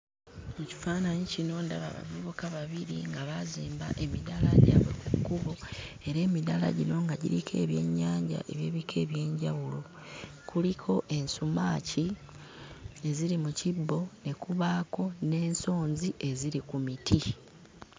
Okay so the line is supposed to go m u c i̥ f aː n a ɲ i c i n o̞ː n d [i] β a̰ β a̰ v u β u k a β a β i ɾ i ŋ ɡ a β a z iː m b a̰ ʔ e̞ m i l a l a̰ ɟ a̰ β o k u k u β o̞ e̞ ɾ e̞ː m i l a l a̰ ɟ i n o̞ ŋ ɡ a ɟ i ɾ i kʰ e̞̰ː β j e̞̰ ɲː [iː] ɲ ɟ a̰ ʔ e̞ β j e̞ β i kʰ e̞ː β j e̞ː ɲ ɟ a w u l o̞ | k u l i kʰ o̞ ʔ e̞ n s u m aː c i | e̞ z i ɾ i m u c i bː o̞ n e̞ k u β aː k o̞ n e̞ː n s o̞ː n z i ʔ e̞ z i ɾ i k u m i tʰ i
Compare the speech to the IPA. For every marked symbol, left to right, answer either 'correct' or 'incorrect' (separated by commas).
incorrect, incorrect